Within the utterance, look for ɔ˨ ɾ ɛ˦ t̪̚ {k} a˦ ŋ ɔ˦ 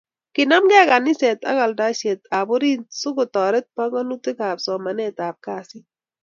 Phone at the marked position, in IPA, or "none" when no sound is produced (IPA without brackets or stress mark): p